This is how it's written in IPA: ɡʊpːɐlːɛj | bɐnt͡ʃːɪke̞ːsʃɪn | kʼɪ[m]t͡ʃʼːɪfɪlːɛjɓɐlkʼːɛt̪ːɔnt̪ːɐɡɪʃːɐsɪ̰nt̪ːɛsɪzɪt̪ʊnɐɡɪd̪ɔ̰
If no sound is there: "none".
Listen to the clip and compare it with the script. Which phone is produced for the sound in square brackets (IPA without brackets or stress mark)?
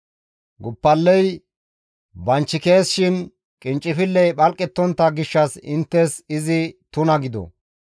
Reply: n